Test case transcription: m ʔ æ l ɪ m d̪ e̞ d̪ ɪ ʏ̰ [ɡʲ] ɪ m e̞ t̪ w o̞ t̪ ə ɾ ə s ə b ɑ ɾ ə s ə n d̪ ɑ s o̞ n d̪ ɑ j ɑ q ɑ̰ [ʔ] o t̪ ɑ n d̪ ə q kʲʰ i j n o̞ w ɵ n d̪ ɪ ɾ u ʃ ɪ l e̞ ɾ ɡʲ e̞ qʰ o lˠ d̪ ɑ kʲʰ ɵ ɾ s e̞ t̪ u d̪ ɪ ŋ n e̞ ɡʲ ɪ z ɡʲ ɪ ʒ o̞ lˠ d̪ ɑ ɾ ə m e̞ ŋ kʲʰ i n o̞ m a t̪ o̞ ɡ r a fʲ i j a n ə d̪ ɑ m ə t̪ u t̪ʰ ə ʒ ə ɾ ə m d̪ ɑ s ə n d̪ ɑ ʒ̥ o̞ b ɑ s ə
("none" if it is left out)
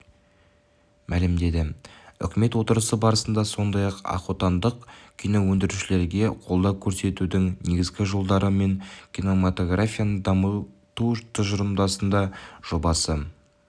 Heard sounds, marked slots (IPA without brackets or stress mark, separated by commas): kʲ, q